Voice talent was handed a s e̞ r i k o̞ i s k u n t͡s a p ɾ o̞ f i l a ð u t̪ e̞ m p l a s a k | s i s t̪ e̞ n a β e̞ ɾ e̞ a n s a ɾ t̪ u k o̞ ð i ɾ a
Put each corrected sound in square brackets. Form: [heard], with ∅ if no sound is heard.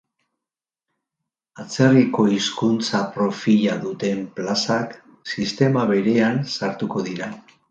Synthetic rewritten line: a [t͡s] e̞ r i k o̞ i s k u n t͡s a p ɾ o̞ f i [ʎ] a ð u t̪ e̞ m p l a s a k | s i s t̪ e̞ [m] a β e̞ ɾ e̞ a n s a ɾ t̪ u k o̞ ð i ɾ a